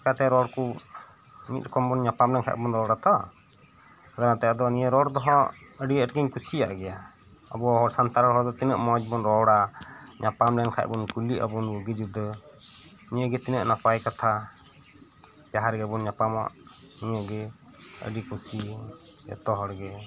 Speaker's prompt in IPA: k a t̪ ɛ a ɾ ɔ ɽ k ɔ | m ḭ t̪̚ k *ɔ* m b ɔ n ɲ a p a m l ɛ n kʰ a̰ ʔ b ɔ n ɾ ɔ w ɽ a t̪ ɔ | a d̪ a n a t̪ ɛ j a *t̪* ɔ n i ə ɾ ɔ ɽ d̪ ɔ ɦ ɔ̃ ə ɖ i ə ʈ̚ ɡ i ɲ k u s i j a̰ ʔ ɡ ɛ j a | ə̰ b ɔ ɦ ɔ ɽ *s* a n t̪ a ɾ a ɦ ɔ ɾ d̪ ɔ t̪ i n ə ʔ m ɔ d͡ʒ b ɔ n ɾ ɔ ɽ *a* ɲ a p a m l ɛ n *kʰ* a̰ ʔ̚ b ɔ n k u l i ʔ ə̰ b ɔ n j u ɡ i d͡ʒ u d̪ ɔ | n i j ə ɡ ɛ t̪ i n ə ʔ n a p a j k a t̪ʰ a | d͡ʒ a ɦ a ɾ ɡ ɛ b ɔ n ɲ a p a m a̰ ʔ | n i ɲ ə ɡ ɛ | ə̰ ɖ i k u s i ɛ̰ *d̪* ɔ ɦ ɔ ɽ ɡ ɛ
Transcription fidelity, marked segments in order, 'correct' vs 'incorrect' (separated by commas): correct, incorrect, correct, correct, correct, incorrect